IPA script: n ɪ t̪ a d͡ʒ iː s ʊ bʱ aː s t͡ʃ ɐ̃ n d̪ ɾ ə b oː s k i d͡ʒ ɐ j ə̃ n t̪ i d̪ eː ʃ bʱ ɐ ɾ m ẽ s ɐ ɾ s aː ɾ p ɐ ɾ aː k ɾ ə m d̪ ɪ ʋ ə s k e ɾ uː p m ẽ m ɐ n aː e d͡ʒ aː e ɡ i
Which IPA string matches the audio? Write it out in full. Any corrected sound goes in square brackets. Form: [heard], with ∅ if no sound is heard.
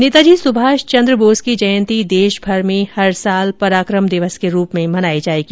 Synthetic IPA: n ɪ t̪ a d͡ʒ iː s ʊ bʱ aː [ʃ] t͡ʃ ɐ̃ n d̪ ɾ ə b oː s k i d͡ʒ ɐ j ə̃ n t̪ i d̪ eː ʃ bʱ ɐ ɾ m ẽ [h] ɐ ɾ s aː [l] p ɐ ɾ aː k ɾ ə m d̪ ɪ ʋ ə s k e ɾ uː p m ẽ m ɐ n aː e d͡ʒ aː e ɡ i